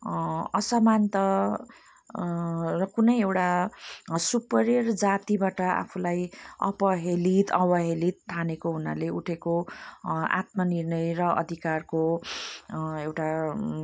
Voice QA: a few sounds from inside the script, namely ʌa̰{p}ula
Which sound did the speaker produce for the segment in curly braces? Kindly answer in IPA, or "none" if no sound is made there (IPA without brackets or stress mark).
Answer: pʰ